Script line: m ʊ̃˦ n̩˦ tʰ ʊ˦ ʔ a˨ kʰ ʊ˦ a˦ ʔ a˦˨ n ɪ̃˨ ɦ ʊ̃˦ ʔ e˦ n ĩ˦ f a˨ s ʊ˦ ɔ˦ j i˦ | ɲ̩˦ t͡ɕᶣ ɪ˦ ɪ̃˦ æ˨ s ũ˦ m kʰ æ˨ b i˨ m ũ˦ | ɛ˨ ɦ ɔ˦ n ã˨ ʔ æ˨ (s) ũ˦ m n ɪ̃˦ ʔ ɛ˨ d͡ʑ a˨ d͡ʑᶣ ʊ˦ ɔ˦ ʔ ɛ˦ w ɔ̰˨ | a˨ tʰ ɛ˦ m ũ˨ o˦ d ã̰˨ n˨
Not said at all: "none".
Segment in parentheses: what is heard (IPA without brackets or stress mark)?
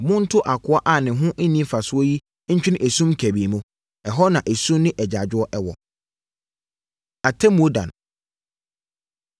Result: s